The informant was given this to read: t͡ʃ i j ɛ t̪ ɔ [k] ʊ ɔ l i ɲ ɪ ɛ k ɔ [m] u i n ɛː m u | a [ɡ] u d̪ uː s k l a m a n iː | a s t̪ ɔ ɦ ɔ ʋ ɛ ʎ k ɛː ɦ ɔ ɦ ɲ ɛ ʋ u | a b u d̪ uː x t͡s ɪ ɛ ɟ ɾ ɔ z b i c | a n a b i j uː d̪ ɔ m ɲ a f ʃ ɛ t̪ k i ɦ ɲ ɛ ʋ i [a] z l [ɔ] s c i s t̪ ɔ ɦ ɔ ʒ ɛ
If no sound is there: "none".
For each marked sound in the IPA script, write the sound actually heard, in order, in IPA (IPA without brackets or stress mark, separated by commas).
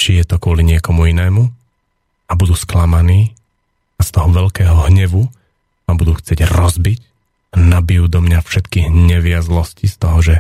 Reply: k, m, b, a, ɔ